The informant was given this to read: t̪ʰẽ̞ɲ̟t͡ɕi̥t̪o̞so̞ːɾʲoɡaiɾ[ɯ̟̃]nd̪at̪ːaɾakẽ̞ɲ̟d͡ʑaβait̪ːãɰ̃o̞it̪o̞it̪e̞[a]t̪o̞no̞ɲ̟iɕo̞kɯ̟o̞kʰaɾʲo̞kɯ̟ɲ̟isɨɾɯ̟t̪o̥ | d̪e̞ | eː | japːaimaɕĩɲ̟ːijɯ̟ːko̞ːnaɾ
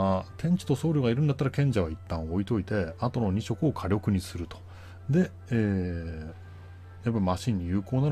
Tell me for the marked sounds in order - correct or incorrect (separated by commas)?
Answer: incorrect, correct